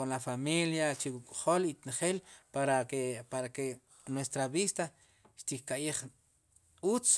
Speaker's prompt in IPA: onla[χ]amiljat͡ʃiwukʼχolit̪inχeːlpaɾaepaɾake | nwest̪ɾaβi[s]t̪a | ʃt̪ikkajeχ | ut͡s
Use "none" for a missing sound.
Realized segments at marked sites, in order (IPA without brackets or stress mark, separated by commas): f, s